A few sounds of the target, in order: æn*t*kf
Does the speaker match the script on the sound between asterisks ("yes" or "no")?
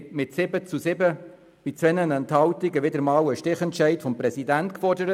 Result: yes